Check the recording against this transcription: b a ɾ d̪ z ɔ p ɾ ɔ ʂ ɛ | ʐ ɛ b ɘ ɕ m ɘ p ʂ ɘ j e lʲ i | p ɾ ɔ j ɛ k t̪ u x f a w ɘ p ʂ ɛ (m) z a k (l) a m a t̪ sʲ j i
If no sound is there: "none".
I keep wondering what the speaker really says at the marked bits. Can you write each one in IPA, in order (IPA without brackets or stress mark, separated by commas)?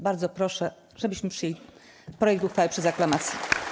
none, l